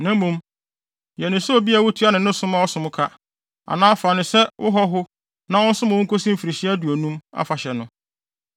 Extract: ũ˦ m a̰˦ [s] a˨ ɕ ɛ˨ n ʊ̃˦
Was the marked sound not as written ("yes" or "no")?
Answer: yes